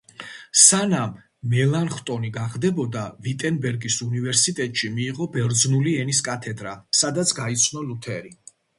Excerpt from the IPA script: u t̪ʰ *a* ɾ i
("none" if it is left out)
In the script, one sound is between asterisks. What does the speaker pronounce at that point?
ɛ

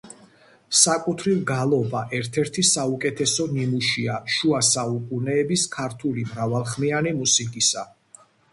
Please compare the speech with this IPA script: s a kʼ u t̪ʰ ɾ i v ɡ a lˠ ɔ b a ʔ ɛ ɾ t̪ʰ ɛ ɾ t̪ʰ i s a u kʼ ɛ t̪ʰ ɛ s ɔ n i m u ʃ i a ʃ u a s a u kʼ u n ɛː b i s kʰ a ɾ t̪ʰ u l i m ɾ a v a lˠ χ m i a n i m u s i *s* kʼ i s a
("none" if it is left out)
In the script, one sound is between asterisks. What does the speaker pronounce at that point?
none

